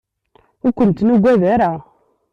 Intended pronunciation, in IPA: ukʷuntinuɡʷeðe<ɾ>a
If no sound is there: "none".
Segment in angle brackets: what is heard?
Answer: ɾ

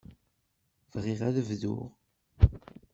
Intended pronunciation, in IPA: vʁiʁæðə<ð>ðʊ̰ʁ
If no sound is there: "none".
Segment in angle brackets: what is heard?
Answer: v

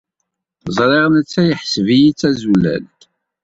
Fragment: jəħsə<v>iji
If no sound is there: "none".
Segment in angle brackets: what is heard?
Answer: v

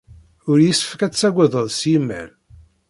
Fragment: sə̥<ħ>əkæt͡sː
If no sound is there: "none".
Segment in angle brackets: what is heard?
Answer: f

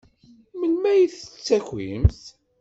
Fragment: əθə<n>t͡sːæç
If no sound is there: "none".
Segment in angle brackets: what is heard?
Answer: none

